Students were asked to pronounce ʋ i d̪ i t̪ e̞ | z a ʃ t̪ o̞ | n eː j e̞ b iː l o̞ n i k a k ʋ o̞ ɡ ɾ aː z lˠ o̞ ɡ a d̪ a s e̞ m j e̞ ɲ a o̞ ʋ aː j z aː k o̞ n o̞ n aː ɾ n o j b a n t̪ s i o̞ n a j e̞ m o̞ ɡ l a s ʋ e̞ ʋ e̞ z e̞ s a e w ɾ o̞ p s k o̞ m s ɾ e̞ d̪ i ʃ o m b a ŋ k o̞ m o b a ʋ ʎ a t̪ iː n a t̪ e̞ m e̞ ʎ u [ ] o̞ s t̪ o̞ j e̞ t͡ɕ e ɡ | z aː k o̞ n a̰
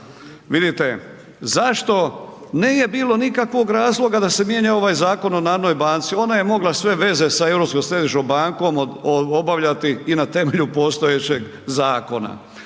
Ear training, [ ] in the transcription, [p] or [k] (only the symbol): p